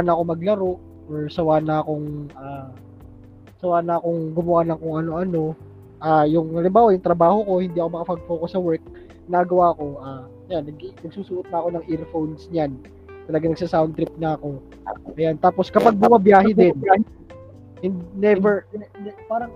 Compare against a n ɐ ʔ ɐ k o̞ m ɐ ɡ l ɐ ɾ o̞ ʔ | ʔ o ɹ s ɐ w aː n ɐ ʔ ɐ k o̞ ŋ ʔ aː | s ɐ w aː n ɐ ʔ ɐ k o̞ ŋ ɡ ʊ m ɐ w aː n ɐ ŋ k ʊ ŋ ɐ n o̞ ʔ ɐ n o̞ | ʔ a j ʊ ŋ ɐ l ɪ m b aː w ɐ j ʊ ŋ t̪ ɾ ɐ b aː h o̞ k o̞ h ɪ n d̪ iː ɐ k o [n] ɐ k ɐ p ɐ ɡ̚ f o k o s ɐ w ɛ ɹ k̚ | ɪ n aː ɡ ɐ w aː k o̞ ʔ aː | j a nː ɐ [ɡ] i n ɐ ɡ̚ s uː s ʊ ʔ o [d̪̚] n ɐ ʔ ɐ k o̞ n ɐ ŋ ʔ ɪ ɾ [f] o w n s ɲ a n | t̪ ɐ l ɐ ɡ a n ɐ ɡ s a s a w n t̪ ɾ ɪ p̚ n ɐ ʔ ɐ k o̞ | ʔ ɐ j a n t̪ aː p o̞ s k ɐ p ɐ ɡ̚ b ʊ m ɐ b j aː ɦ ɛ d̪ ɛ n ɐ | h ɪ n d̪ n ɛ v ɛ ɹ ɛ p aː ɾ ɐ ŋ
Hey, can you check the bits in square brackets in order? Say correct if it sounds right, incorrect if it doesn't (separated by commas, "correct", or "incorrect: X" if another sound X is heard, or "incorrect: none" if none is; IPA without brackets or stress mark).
incorrect: m, correct, incorrect: t̪̚, correct